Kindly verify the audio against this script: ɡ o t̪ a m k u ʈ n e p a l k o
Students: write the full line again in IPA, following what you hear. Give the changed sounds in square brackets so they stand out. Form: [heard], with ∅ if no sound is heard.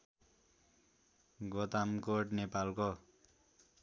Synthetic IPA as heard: ɡ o t̪ a m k [o] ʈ n e p a l k o